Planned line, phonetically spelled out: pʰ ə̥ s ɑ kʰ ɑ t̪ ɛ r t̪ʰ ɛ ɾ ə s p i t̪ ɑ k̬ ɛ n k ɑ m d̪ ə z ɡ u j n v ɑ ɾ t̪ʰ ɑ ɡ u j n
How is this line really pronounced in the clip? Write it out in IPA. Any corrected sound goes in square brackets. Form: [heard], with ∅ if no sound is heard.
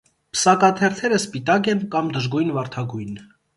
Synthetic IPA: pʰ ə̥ s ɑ [k] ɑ [t̪ʰ] ɛ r t̪ʰ ɛ ɾ ə s p i t̪ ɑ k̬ ɛ n k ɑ m d̪ ə [ʒ] ɡ u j n v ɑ ɾ t̪ʰ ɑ ɡ u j n